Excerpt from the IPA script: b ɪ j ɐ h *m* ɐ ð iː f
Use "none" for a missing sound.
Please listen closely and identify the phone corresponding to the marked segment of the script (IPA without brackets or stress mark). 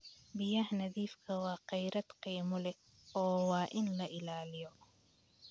n